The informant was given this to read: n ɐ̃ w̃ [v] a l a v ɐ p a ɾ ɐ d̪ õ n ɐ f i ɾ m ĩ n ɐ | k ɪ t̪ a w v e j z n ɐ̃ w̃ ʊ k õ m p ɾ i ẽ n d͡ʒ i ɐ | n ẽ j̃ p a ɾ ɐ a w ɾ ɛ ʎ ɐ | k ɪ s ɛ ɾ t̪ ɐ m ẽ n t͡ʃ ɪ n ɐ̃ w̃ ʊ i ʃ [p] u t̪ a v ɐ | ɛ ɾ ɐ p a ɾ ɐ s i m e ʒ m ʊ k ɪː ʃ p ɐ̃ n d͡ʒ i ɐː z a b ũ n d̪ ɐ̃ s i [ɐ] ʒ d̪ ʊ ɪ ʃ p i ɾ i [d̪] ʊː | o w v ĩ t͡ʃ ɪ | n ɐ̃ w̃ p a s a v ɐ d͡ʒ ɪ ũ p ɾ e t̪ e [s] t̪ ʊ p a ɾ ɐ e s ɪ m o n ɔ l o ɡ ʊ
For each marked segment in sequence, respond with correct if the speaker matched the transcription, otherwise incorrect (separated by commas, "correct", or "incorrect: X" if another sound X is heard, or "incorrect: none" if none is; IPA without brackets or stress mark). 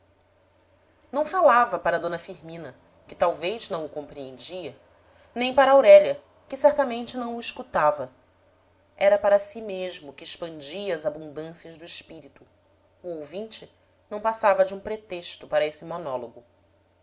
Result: incorrect: f, incorrect: k, correct, incorrect: t̪, incorrect: ʃ